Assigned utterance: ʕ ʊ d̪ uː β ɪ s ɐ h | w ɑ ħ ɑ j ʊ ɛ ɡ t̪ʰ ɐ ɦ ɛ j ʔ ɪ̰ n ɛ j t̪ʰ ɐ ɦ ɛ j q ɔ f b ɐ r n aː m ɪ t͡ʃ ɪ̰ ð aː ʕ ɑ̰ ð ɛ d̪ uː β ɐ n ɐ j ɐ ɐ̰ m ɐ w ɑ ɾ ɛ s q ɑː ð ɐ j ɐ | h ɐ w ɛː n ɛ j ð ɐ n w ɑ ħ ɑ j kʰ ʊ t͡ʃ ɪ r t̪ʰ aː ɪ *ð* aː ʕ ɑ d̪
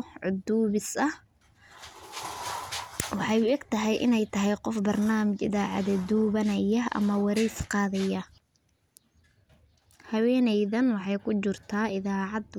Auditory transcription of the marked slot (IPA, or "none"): ð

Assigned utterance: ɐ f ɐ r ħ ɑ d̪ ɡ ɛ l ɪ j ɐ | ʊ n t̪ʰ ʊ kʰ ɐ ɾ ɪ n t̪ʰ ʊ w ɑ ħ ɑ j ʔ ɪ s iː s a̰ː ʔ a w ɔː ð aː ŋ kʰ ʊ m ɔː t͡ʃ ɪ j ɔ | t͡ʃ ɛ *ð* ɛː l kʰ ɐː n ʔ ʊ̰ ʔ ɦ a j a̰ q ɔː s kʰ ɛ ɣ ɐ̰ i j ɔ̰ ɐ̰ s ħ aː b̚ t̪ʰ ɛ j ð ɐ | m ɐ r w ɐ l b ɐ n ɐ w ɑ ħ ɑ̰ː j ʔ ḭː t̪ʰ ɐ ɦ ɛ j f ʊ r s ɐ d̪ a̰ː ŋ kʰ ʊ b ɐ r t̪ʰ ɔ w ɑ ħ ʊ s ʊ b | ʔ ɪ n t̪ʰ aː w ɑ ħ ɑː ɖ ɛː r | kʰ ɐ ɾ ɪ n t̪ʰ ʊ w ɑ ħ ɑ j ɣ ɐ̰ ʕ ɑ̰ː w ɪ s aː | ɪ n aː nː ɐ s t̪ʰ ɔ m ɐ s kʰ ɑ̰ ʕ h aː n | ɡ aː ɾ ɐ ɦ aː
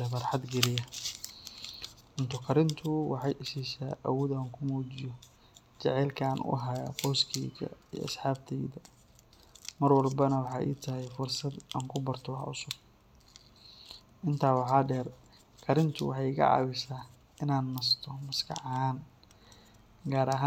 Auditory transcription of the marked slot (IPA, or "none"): ʕ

